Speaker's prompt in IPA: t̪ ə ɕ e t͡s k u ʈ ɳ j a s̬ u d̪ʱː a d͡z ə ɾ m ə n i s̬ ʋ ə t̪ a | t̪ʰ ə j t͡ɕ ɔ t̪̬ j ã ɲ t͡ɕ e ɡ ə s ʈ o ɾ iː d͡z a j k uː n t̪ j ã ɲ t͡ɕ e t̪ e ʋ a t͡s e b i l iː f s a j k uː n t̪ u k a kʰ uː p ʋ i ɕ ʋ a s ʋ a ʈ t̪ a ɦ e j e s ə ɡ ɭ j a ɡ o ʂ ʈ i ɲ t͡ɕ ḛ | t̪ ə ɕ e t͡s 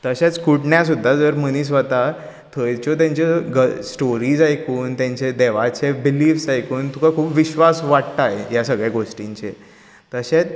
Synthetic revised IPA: t̪ ə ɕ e t͡s k u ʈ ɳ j a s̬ u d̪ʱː a d͡z ə ɾ m ə n i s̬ ʋ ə t̪ a | t̪ʰ ə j t͡ɕ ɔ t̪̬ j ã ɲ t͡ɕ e ɡ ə s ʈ o ɾ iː d͡z a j k uː n t̪ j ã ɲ t͡ɕ e d̪ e ʋ a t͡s e b i l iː f s a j k uː n t̪ u k a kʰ uː p ʋ i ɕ ʋ a s ʋ a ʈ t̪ a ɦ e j a s ə ɡ ɭ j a ɡ o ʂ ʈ i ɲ t͡ɕ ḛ | t̪ ə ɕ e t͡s

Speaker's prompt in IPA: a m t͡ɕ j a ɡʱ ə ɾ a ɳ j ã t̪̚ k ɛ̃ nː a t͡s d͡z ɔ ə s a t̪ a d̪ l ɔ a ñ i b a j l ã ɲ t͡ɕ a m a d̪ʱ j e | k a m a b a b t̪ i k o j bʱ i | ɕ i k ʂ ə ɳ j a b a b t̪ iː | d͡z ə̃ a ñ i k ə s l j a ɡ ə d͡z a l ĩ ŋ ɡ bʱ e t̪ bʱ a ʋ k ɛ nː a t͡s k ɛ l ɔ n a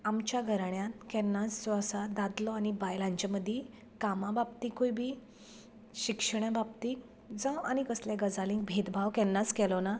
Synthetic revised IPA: a m t͡ɕ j a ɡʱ ə ɾ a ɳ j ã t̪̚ k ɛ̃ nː a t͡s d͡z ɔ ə s a d̪ a d̪ l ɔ a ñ i b a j l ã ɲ t͡ɕ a m ə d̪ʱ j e | k a m a b a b t̪ i k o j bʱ i | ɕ i k ʂ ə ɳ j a b a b t̪ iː | d͡z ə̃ a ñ i k ə s l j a ɡ ə d͡z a l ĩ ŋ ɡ bʱ e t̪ bʱ a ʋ k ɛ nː a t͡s k ɛ l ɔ n a

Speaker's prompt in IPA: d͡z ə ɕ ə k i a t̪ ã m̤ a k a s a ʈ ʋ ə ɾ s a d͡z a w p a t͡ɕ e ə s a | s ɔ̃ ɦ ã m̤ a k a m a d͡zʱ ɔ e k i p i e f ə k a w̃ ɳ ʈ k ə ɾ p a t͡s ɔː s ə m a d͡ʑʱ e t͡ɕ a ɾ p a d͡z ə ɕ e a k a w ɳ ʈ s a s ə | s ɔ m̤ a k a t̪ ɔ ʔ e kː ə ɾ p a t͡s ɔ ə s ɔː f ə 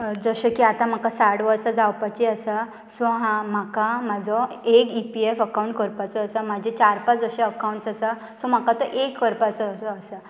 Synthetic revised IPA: d͡z ə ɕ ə k i a t̪ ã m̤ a k a s a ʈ ʋ ə ɾ s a d͡z a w p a t͡ɕ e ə s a | s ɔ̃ ɦ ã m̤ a k a m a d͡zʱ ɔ e k i p i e f ə k a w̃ ɳ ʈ k ə ɾ p a t͡s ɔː s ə m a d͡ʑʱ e t͡ɕ a ɾ p a d͡z ə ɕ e ə k a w ɳ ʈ s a s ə | s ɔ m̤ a k a t̪ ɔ ʔ e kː ə ɾ p a t͡s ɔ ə s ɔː s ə

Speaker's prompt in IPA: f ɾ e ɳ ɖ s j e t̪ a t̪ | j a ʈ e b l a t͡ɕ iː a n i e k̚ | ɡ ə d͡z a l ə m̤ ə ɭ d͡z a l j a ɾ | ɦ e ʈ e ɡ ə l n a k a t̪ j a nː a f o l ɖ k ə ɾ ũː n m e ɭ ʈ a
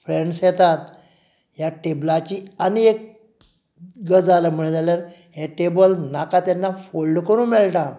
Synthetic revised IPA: f ɾ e ɳ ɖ s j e t̪ a t̪ | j a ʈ e b l a t͡ɕ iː a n i e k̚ | ɡ ə d͡z a l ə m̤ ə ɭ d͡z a l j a ɾ | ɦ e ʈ e b ə l n a k a t̪ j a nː a f o l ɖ k ə ɾ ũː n m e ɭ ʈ a

